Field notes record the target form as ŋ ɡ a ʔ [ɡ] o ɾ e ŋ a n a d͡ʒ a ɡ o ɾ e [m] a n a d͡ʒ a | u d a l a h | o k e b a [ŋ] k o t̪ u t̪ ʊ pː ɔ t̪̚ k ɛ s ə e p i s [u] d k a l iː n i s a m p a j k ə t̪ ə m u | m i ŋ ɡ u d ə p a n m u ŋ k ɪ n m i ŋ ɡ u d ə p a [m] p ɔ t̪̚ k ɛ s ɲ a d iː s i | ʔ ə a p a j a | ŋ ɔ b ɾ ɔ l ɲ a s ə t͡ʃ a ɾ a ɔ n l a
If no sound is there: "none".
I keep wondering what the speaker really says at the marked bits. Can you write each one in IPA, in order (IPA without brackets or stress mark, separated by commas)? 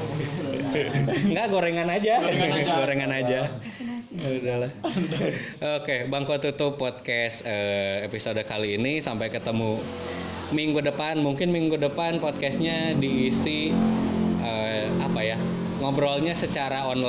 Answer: ɡ, ŋ, ŋ, o, n